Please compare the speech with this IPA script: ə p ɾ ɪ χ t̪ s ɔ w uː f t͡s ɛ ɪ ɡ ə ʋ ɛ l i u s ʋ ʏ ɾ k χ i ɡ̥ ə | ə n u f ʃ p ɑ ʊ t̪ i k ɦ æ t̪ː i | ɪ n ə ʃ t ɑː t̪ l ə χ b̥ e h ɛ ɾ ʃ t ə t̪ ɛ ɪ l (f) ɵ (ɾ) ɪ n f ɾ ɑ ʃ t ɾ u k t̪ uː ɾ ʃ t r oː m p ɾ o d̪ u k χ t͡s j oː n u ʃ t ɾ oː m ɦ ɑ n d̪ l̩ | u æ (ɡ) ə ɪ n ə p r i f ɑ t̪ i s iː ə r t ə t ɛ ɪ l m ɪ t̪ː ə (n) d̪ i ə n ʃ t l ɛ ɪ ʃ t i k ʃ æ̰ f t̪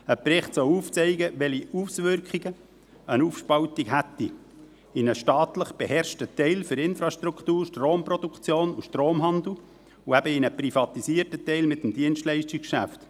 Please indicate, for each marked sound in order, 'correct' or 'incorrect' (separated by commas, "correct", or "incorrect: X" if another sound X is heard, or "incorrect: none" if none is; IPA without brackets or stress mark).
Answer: correct, correct, incorrect: b, incorrect: m